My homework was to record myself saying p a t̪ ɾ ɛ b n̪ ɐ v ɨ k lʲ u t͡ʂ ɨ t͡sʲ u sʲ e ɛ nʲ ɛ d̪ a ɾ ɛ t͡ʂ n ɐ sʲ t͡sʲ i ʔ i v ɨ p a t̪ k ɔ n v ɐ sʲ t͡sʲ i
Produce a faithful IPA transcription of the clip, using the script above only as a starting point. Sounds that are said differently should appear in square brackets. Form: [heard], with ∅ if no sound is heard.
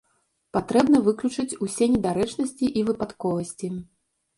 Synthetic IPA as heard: p a t̪ ɾ ɛ b n̪ ɐ v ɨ k lʲ u t͡ʂ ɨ t͡sʲ u sʲ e ɛ nʲ ɛ d̪ a ɾ ɛ t͡ʂ n ɐ sʲ t͡sʲ i ʔ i v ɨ p a t̪ k ɔ [∅] v ɐ sʲ t͡sʲ i